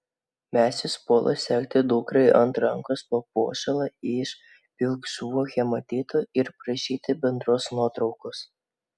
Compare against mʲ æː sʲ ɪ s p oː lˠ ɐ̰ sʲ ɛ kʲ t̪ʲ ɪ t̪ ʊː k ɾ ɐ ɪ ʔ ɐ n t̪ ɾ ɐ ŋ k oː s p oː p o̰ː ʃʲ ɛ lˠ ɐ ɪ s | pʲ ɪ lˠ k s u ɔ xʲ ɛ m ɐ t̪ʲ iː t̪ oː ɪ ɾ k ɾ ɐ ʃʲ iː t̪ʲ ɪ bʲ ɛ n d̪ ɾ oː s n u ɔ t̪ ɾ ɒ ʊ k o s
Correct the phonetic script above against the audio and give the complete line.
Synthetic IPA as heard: mʲ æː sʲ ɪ s p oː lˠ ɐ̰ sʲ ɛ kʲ t̪ʲ ɪ d̪ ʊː k ɾ ɐ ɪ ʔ ɐ n t̪ ɾ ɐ ŋ k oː s p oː p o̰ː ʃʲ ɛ lˠ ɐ ɪ ʃ | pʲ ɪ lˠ k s u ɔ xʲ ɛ m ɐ t̪ʲ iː t̪ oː ɪ ɾ p ɾ ɐ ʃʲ iː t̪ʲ ɪ bʲ ɛ n d̪ ɾ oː s n u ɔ t̪ ɾ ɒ ʊ k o s